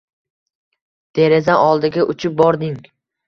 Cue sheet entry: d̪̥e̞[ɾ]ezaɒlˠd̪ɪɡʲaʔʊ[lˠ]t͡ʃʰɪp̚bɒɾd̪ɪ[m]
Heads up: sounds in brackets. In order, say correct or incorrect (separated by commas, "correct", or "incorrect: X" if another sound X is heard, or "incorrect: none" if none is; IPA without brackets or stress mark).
correct, incorrect: none, incorrect: ŋ